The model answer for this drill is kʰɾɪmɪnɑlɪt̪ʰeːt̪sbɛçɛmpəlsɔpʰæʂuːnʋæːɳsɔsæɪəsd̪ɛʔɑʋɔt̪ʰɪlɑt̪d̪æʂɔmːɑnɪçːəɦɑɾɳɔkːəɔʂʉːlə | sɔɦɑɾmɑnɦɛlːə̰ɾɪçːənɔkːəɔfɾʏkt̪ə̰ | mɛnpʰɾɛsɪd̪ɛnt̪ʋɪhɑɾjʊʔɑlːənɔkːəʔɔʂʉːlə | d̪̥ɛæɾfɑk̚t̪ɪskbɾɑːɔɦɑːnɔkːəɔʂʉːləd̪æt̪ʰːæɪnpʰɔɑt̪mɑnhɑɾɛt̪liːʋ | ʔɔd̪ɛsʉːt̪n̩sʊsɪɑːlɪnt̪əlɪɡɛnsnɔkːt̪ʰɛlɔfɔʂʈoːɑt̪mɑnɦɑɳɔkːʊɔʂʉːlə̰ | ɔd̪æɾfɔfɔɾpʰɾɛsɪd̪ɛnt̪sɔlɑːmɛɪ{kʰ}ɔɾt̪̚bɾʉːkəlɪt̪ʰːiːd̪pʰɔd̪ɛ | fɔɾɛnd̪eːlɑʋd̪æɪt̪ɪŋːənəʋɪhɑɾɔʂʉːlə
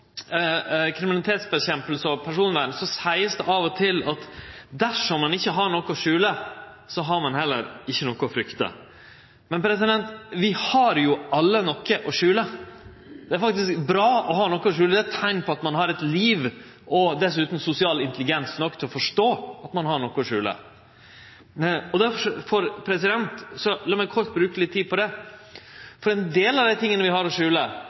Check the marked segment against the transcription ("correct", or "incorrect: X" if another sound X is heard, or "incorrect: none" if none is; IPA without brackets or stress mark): correct